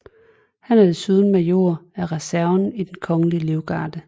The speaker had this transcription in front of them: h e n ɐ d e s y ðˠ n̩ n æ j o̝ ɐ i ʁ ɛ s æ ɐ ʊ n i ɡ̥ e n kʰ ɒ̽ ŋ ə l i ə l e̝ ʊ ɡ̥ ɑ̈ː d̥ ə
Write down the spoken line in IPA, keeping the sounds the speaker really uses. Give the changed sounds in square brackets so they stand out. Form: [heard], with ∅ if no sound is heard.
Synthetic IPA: h [æ] n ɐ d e s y ðˠ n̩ [m] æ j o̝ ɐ [æ] ʁ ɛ s æ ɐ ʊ n i [d̥] e n kʰ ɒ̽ ŋ ə l i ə l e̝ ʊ ɡ̥ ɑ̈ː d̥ ə